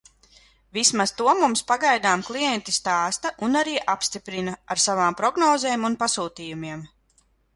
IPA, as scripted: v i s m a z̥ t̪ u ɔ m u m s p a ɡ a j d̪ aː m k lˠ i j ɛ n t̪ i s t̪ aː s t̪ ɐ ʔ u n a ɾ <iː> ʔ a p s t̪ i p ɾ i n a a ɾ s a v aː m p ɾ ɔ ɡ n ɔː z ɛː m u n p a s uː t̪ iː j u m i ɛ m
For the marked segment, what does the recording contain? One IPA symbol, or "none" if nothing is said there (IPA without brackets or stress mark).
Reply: iː